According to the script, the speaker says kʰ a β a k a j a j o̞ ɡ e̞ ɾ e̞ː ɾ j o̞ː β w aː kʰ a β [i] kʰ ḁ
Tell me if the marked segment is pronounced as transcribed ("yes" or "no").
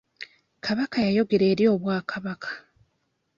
no